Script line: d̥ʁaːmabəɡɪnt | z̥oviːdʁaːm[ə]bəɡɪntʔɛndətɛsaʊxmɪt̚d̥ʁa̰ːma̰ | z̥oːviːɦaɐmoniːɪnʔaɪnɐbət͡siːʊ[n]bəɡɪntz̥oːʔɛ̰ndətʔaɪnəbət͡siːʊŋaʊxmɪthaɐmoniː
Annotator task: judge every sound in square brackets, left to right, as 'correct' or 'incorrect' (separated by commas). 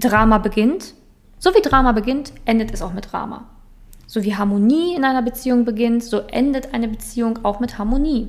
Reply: incorrect, incorrect